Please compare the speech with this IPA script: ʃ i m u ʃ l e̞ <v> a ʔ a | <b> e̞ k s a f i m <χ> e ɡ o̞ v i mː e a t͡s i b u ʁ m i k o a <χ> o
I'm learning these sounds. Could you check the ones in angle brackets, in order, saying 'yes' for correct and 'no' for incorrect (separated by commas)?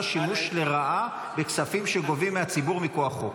no, yes, no, yes